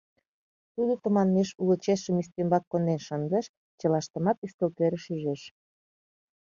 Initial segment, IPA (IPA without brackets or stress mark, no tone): t̪